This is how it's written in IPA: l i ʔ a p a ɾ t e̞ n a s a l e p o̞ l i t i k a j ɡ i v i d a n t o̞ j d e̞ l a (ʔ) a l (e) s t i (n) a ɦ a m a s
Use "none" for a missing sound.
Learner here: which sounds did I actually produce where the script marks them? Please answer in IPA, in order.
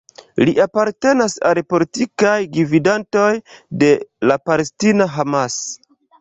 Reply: p, e, n

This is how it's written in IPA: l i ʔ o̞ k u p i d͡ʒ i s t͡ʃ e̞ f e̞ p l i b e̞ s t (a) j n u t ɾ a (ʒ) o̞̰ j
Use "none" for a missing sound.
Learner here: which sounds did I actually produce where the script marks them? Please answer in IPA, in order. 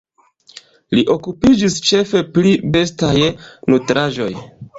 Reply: a, ʒ

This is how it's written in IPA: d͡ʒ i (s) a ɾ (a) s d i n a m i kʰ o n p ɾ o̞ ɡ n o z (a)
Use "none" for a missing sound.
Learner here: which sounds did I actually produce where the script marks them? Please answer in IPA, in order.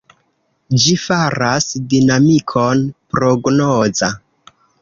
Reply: f, a, a

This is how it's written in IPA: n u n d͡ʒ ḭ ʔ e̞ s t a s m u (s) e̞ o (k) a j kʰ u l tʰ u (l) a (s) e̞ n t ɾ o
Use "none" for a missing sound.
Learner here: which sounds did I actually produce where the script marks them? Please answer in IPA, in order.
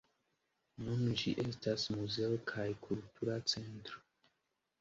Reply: z, kʰ, ɾ, t͡s

